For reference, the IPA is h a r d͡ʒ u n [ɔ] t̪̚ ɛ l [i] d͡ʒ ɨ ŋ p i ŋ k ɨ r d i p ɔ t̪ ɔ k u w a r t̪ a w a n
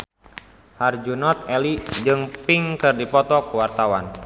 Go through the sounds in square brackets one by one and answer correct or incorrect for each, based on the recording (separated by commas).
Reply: correct, correct